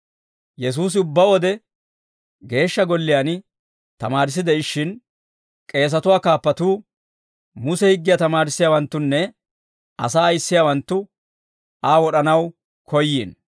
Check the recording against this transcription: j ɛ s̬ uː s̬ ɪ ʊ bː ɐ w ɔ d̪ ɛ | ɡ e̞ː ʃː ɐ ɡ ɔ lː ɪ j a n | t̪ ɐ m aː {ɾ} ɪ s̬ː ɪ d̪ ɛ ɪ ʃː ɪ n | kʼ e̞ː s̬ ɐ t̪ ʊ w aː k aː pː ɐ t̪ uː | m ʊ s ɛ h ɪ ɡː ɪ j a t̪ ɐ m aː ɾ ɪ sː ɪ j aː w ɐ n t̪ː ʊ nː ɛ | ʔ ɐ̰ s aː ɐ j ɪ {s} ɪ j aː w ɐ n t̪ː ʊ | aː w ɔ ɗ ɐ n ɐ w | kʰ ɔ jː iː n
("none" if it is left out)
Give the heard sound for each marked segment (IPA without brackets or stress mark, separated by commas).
ɾ, sː